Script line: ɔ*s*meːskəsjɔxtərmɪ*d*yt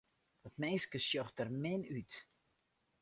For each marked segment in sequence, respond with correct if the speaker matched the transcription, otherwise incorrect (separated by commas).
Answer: incorrect, incorrect